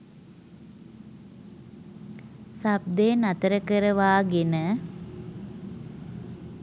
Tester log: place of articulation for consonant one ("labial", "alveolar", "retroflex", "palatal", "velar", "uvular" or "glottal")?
alveolar